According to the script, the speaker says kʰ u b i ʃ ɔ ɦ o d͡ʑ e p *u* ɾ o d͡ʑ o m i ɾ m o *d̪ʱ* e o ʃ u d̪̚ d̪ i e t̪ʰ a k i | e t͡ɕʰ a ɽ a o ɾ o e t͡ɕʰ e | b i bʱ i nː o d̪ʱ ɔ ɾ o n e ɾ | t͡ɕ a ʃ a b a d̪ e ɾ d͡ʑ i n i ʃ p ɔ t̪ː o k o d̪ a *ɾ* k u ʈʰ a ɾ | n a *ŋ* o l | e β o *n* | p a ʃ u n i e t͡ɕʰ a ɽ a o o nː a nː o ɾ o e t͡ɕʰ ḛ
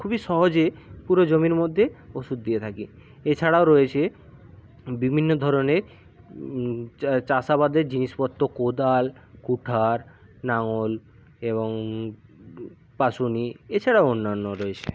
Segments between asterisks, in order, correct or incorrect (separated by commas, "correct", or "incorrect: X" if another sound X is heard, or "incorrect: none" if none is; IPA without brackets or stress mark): correct, incorrect: d̪ʱː, incorrect: l, correct, incorrect: ŋ